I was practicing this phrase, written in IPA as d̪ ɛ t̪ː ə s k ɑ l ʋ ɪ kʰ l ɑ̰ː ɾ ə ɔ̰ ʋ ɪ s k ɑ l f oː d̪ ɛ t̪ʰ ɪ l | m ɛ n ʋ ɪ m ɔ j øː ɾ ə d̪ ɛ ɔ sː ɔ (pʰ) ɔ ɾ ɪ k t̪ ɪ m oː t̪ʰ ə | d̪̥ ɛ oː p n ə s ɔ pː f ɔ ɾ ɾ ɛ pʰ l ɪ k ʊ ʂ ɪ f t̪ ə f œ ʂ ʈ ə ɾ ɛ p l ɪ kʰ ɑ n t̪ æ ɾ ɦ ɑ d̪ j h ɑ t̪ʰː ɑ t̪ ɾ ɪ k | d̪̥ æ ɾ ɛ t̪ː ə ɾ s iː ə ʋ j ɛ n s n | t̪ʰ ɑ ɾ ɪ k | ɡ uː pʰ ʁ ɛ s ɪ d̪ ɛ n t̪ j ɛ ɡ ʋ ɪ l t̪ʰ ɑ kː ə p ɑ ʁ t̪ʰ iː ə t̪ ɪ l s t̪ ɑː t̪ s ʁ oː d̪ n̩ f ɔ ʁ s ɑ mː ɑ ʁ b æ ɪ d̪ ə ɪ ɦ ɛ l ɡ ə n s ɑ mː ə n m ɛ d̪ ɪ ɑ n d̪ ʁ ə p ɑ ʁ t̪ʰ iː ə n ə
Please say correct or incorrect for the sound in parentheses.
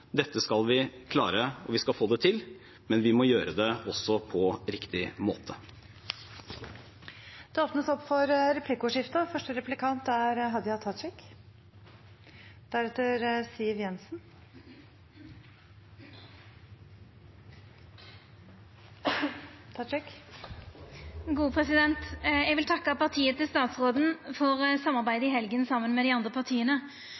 correct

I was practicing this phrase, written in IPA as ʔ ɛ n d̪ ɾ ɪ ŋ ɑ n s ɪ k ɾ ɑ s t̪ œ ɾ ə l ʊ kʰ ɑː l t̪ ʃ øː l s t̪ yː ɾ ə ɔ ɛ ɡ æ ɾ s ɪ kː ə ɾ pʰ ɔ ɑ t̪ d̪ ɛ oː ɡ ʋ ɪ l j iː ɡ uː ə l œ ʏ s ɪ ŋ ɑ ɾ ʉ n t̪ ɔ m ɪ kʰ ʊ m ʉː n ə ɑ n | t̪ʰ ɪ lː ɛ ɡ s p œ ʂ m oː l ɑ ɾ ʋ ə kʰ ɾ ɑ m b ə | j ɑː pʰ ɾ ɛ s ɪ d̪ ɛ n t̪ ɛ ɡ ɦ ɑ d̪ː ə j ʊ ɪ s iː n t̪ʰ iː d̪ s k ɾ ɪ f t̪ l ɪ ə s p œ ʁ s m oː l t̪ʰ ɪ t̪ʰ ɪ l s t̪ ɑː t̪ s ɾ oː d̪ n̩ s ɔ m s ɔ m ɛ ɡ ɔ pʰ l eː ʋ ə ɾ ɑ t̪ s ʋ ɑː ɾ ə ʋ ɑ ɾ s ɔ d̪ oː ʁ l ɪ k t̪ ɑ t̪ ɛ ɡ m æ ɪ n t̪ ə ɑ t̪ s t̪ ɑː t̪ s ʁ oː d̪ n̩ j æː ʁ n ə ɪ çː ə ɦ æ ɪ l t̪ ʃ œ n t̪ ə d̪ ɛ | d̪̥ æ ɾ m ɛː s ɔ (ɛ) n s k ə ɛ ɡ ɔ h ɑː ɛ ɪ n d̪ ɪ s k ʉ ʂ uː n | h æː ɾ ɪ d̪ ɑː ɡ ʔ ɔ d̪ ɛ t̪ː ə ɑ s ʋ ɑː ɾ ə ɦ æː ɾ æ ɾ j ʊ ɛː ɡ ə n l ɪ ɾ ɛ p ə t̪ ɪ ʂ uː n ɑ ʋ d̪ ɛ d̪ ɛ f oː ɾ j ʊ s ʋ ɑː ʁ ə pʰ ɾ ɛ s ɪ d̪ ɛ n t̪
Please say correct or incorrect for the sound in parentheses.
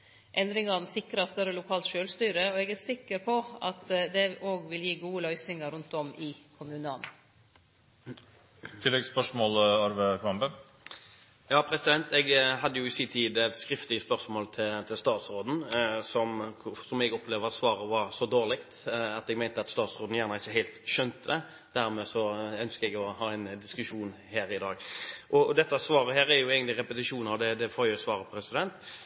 incorrect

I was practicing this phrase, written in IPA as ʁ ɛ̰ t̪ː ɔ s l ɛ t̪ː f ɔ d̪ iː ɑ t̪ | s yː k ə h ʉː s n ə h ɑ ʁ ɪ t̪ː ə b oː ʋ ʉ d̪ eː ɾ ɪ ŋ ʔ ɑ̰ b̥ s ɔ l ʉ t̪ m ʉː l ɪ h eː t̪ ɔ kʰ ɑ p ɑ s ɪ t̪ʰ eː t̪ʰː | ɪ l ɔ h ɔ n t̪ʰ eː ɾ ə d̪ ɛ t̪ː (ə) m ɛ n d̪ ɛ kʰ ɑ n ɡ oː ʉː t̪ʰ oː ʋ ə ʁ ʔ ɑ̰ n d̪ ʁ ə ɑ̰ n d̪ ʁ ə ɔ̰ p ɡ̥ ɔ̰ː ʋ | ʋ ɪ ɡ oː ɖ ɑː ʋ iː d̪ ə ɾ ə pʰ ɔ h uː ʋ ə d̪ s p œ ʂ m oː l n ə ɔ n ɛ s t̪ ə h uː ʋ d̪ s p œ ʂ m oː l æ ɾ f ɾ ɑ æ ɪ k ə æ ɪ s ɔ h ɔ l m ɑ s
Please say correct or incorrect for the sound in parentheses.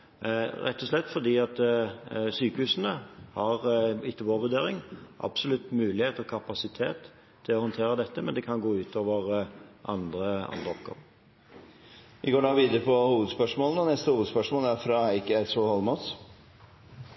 correct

